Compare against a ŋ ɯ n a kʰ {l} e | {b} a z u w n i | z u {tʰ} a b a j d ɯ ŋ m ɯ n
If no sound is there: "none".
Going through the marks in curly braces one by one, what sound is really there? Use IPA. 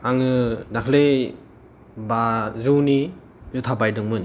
l, b, tʰ

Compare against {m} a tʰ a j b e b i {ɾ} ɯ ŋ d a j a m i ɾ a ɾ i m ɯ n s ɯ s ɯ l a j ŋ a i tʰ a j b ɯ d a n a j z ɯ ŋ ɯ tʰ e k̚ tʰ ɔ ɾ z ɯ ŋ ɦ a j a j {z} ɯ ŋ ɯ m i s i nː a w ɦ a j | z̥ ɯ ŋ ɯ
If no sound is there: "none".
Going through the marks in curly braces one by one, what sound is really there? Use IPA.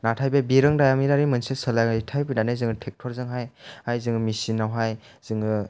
n, ɾ, z

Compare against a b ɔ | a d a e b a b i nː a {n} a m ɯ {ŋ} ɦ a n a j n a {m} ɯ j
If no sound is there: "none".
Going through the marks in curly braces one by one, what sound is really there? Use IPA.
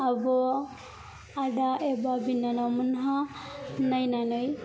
n, n, n

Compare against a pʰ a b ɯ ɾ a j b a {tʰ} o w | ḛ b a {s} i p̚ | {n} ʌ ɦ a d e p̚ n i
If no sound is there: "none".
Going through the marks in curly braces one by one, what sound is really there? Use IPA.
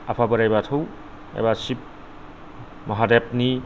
tʰ, s, m

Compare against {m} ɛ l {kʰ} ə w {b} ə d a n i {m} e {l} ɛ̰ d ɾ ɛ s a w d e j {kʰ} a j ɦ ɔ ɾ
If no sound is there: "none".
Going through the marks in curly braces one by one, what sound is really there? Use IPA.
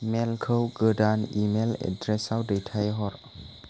m, kʰ, ɡ, m, l, tʰ

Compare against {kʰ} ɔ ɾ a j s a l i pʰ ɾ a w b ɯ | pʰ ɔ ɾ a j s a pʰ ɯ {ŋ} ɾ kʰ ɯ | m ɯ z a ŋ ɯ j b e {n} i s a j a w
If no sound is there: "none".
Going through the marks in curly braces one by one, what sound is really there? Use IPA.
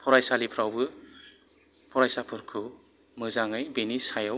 pʰ, none, n

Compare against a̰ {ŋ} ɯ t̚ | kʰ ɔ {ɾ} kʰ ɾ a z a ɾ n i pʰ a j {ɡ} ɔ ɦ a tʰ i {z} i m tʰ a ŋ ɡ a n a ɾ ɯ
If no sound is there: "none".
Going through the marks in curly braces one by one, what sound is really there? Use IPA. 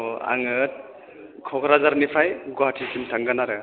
ŋ, none, ɡ, s

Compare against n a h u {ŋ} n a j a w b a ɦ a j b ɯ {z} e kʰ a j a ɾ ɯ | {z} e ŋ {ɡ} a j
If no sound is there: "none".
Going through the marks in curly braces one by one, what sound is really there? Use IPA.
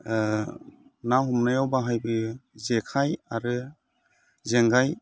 m, z, z, ɡ

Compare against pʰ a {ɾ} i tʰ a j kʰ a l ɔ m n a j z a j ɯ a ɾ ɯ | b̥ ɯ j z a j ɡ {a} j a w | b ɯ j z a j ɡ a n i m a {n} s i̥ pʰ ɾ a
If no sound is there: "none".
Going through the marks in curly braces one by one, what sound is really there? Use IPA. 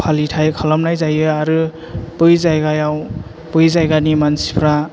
l, a, n

